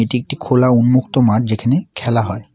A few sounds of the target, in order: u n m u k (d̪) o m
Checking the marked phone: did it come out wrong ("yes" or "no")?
yes